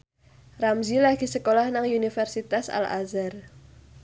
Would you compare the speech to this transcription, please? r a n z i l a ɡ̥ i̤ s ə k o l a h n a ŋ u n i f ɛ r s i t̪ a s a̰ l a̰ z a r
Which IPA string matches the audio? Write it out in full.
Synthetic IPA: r a m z i l a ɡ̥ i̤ s ə k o l a h n a ŋ u n i f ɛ r s i t̪ a s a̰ l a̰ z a r